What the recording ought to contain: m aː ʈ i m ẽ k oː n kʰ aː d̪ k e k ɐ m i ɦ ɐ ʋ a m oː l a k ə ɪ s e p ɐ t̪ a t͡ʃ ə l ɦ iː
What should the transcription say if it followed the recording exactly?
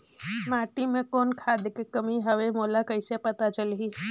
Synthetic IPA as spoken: m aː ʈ i m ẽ k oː n kʰ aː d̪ k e k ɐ m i ɦ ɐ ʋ e m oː l a k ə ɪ s e p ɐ t̪ a t͡ʃ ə l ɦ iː